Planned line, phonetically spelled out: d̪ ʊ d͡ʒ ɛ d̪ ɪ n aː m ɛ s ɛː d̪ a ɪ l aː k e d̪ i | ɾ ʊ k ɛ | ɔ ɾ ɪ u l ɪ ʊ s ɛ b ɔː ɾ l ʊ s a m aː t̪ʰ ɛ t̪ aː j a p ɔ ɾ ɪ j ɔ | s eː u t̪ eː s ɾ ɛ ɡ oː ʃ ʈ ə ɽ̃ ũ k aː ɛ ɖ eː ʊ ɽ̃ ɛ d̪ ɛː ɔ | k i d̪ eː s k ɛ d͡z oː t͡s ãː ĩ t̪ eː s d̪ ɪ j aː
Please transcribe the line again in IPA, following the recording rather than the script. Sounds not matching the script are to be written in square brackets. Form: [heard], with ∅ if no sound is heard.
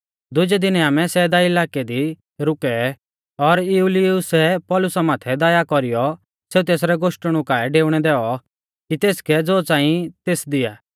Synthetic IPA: d̪ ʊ d͡ʒ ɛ d̪ ɪ n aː m ɛ s ɛː d̪ a ɪ l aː k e d̪ i | ɾ ʊ k ɛ | ɔ ɾ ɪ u l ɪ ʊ s ɛ [p] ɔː [∅] l ʊ s a m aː t̪ʰ ɛ [d̪] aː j a [k] ɔ ɾ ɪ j ɔ | s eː u t̪ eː s ɾ ɛ ɡ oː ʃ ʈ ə ɽ̃ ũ k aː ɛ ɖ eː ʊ ɽ̃ ɛ d̪ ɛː ɔ | k i [t̪] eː s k ɛ d͡z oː t͡s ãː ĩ t̪ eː s d̪ ɪ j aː

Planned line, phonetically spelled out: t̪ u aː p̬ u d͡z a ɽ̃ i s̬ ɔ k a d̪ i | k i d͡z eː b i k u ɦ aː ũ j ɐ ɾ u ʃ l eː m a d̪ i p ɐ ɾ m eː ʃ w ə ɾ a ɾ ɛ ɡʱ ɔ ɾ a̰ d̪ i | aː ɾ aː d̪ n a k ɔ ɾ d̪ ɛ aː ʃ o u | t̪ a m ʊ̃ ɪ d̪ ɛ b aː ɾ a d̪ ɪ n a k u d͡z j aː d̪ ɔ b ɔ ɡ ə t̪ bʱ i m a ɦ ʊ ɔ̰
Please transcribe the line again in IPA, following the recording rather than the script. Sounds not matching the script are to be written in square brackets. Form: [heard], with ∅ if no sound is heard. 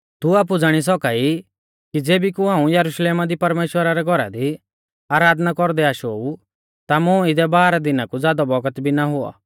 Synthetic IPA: t̪ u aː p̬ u d͡z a ɽ̃ i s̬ ɔ k a [∅] i | k i d͡z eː b i k u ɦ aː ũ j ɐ ɾ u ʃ l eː m a d̪ i p ɐ ɾ m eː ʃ w ə ɾ a ɾ ɛ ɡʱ ɔ ɾ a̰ d̪ i | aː ɾ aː d̪ n a k ɔ ɾ d̪ ɛ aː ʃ o u | t̪ a m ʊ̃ ɪ d̪ ɛ b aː ɾ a d̪ ɪ n a k u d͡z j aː d̪ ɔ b ɔ ɡ ə t̪ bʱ i [n] a ɦ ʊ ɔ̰

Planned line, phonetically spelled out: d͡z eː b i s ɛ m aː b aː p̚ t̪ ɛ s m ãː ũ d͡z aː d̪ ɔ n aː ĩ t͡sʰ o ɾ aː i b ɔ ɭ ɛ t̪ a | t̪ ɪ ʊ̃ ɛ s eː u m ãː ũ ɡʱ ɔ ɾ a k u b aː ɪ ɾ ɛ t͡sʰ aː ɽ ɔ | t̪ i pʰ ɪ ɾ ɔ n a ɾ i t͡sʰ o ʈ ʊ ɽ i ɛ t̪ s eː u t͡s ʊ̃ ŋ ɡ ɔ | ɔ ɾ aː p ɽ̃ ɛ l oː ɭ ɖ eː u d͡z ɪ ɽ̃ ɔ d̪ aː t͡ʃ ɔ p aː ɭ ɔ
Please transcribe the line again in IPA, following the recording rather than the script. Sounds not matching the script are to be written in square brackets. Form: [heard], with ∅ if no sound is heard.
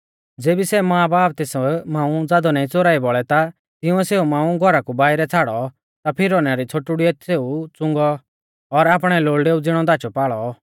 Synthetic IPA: d͡z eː b i s ɛ m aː b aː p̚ t̪ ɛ s m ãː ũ d͡z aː d̪ ɔ n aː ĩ [t͡s] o ɾ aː i b ɔ ɭ ɛ t̪ a | t̪ ɪ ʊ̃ ɛ s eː u m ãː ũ ɡʱ ɔ ɾ a k u b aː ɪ ɾ ɛ t͡sʰ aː ɽ ɔ | t̪ [a] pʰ ɪ ɾ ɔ n a ɾ i t͡sʰ o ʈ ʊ ɽ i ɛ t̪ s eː u t͡s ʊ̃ ŋ ɡ ɔ | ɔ ɾ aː p ɽ̃ ɛ l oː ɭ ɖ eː u d͡z ɪ ɽ̃ ɔ d̪ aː t͡ʃ ɔ p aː ɭ ɔ

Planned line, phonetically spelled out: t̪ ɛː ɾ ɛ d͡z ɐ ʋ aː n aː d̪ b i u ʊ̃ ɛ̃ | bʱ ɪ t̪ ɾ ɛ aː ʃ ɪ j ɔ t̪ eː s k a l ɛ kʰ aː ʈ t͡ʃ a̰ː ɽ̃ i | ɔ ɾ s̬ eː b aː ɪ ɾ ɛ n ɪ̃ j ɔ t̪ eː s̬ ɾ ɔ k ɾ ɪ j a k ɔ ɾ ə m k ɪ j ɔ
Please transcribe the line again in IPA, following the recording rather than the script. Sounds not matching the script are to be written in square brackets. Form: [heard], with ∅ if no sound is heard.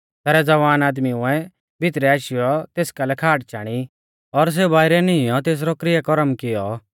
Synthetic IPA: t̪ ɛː ɾ ɛ d͡z ɐ ʋ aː n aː d̪ [m] i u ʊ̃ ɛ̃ | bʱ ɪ t̪ ɾ ɛ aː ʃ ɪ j ɔ t̪ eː s k a l ɛ kʰ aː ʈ t͡ʃ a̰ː ɽ̃ i | ɔ ɾ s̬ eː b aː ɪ ɾ ɛ n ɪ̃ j ɔ t̪ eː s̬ ɾ ɔ k ɾ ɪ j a k ɔ ɾ ə m k ɪ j ɔ

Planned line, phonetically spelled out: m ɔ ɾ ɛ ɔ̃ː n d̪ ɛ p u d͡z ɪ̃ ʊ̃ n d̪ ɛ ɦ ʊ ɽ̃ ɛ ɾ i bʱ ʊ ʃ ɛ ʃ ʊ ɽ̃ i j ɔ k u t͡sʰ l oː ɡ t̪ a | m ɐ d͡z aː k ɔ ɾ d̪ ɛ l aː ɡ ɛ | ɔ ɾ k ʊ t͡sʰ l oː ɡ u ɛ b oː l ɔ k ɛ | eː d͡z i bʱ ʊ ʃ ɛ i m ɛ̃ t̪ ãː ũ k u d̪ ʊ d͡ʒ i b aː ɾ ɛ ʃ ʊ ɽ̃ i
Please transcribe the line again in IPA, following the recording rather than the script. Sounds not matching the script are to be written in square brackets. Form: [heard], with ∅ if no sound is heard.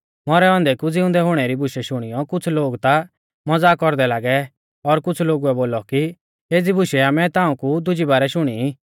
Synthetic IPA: m ɔ ɾ ɛ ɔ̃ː n d̪ ɛ [k] u d͡z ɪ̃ ʊ̃ n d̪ ɛ ɦ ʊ ɽ̃ ɛ ɾ i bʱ ʊ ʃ ɛ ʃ ʊ ɽ̃ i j ɔ k [ʊ] t͡sʰ l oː ɡ t̪ a | m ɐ d͡z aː k ɔ ɾ d̪ ɛ l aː ɡ ɛ | ɔ ɾ k ʊ t͡sʰ l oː ɡ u ɛ b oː l ɔ k [i] | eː d͡z i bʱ ʊ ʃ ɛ [a] m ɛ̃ t̪ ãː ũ k u d̪ ʊ d͡ʒ i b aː ɾ ɛ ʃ ʊ ɽ̃ i

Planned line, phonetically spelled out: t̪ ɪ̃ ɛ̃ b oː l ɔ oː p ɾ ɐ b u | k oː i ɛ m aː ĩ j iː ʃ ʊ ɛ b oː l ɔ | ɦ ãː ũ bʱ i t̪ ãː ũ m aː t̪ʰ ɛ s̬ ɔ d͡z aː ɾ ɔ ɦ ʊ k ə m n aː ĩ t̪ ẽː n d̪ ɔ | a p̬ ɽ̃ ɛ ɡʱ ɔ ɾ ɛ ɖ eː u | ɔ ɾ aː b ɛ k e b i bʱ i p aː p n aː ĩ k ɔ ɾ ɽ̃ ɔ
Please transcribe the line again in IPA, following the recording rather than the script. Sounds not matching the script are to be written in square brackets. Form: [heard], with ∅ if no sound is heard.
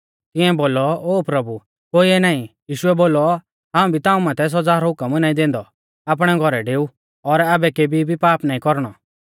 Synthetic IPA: t̪ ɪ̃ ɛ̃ b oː l ɔ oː p ɾ ɐ b u | k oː i ɛ [n] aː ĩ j iː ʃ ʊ ɛ b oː l ɔ | ɦ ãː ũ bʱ i t̪ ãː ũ m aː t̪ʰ ɛ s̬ ɔ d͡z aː ɾ ɔ ɦ ʊ k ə m n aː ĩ [d̪] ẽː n d̪ ɔ | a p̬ ɽ̃ ɛ ɡʱ ɔ ɾ ɛ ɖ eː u | ɔ ɾ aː b ɛ k e b i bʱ i p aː p n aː ĩ k ɔ ɾ ɽ̃ ɔ

